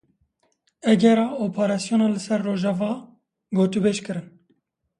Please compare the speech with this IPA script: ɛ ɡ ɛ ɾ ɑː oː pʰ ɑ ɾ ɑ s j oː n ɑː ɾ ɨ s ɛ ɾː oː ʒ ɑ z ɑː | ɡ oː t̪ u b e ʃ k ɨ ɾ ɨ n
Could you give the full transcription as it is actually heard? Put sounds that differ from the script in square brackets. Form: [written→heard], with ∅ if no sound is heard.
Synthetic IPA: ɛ ɡ ɛ ɾ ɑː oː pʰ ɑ ɾ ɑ s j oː n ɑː [ɾ→l] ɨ s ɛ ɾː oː ʒ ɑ [z→v] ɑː | ɡ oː t̪ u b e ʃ k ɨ ɾ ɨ n